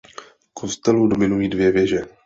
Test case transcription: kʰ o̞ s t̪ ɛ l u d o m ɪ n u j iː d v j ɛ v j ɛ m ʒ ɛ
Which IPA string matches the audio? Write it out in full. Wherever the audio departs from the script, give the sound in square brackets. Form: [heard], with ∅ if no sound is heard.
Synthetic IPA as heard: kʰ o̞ s t̪ ɛ l u d o m ɪ n u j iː d v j ɛ v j ɛ [∅] ʒ ɛ